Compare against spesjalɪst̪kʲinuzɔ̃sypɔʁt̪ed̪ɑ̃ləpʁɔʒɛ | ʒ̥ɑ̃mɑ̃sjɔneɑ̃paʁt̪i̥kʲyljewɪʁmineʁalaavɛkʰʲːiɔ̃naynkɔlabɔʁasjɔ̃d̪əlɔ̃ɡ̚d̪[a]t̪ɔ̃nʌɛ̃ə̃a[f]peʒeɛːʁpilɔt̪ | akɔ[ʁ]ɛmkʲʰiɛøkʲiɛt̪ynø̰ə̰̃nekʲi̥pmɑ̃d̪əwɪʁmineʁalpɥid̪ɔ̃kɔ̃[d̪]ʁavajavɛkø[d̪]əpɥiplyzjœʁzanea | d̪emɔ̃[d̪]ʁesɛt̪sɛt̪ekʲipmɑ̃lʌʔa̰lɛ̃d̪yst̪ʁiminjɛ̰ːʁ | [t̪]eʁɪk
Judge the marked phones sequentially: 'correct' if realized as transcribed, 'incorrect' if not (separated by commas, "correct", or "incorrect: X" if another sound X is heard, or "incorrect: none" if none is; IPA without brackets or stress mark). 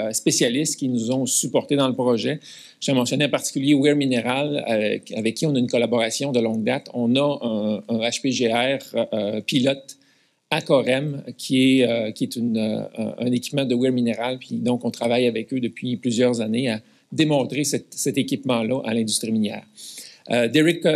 correct, incorrect: ʃ, correct, incorrect: t̪, correct, incorrect: t̪, incorrect: d̪